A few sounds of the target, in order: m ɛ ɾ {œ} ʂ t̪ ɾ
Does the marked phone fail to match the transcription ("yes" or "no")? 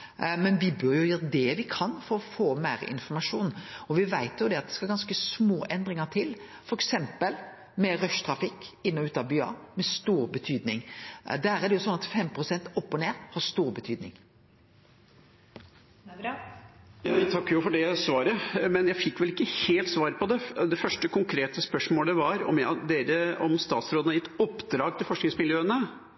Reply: no